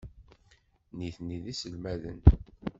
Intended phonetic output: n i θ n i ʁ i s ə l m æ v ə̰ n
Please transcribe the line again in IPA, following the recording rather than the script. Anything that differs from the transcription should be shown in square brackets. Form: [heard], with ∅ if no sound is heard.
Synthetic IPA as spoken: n i θ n i [ð] i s ə l m æ [ð] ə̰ n